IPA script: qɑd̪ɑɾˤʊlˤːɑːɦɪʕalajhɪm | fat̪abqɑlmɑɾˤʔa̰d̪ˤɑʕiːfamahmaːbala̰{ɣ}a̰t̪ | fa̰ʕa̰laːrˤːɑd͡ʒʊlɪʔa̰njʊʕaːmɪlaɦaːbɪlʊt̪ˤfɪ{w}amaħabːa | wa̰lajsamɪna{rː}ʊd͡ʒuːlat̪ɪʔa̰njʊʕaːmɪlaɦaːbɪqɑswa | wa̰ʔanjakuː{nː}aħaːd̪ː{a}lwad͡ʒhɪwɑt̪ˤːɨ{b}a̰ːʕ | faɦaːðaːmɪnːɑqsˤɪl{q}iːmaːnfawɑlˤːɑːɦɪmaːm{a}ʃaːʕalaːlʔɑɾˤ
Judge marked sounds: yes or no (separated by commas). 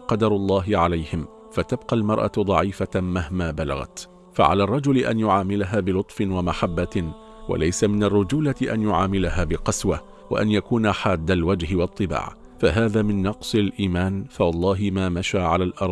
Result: yes, yes, yes, no, yes, yes, no, yes